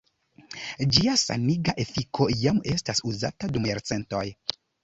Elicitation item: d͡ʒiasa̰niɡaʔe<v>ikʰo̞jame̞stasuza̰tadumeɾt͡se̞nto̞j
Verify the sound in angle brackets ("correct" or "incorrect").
incorrect